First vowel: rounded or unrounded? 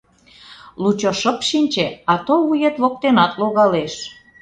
rounded